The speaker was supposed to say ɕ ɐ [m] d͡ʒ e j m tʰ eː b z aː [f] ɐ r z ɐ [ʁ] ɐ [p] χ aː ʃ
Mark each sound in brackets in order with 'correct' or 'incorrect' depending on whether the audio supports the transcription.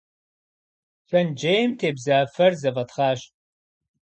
incorrect: n, correct, incorrect: v, incorrect: t

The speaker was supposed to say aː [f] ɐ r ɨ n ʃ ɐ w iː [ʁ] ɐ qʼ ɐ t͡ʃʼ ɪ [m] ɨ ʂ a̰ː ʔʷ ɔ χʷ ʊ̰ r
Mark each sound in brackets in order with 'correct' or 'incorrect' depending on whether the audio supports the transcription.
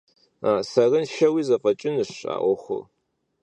incorrect: s, incorrect: z, incorrect: n

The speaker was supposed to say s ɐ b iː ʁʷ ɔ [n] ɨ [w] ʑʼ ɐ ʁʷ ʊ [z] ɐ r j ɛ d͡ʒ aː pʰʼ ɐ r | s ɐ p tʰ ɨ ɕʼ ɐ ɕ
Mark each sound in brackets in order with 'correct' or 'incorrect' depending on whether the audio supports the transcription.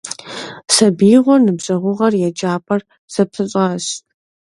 correct, incorrect: b, incorrect: ʁ

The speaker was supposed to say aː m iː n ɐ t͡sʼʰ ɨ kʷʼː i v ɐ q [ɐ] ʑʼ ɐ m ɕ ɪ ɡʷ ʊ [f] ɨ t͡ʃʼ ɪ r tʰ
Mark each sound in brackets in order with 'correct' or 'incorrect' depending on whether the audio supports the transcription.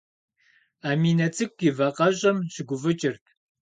correct, incorrect: v

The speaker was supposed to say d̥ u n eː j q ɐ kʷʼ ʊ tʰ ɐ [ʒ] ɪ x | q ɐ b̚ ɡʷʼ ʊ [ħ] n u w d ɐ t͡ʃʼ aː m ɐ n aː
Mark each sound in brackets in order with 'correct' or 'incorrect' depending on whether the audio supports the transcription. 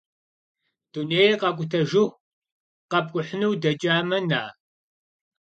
correct, correct

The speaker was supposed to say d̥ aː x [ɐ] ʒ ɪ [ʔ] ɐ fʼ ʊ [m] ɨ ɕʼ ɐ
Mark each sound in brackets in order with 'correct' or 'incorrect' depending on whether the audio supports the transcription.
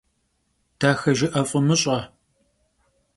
correct, correct, correct

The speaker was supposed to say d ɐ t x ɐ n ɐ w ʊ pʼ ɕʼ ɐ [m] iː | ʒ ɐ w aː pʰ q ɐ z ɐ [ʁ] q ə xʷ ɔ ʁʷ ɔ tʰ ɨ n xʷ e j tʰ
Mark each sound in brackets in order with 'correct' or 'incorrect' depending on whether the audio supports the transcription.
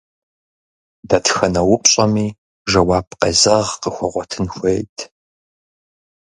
correct, correct

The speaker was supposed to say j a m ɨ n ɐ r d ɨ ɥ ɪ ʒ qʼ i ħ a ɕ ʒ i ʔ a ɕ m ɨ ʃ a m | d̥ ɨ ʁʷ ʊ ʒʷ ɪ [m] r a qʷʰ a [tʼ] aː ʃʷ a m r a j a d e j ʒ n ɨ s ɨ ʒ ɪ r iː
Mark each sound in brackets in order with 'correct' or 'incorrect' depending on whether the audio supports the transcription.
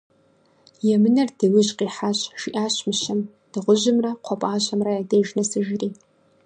correct, incorrect: pʼ

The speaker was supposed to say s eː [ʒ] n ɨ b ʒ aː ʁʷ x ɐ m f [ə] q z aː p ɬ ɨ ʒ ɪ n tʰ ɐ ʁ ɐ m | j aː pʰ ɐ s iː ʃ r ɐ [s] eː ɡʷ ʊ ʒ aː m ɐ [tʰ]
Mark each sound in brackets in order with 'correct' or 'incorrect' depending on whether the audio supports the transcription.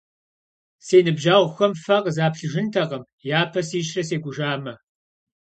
incorrect: none, incorrect: ɐ, correct, incorrect: none

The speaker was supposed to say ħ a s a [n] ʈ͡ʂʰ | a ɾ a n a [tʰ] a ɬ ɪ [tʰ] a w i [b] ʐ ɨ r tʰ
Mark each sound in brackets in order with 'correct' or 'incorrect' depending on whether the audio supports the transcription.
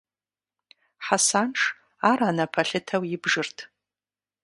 correct, incorrect: pʰ, correct, correct

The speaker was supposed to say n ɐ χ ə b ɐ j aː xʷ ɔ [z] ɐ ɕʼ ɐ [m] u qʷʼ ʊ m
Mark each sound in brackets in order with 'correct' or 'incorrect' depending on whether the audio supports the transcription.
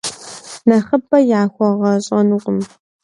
incorrect: ʁ, incorrect: n

